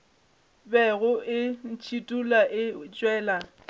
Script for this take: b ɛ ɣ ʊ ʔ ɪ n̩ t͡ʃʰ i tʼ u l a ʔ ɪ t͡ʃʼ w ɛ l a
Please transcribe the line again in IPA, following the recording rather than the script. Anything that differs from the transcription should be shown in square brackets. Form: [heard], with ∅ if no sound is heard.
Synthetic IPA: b ɛ ɣ ʊ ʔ ɪ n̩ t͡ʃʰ i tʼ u l a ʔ ɪ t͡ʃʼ w [ɛː] l a